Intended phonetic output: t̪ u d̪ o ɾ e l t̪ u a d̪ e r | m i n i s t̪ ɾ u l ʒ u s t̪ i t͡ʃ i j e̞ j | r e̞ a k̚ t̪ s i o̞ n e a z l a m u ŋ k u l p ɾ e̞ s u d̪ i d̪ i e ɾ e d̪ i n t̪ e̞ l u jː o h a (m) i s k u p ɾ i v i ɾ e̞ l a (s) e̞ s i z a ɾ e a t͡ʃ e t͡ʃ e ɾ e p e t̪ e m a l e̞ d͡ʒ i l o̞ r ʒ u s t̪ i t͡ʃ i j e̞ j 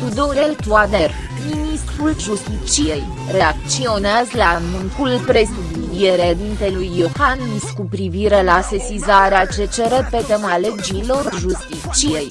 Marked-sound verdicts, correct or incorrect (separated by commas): incorrect, correct